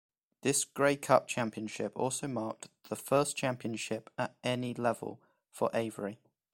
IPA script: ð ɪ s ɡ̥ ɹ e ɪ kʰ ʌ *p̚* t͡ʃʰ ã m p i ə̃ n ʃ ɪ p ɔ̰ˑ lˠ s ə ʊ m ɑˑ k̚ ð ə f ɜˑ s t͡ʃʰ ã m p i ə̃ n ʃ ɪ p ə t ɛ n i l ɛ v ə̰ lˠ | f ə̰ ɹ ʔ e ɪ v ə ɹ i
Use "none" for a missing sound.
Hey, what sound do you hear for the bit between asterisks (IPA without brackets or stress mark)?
p̚